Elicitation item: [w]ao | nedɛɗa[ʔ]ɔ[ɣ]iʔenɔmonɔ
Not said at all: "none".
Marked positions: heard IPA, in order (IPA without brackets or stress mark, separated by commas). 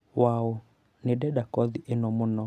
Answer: w, k, ð